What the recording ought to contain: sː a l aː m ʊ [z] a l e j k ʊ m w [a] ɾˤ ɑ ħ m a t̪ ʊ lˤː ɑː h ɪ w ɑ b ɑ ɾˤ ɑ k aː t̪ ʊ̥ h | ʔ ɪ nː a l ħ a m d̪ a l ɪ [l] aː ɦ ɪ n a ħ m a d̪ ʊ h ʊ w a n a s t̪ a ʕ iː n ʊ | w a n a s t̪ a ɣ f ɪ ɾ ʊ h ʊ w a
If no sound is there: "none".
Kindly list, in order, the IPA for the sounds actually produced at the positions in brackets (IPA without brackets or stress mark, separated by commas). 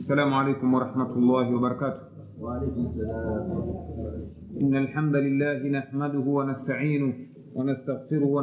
ʕ, ɑ, lː